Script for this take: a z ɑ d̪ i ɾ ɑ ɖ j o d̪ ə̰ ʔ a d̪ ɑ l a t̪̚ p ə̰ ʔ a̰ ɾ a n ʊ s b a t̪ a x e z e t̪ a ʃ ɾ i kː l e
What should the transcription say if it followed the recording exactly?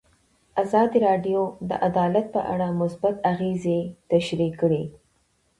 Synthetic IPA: a z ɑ d̪ i ɾ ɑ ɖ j o d̪ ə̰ ʔ a d̪ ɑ l a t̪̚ p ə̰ ʔ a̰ ɽ a m ʊ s b a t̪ a ɣ e z e t̪ a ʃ ɾ i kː ɽ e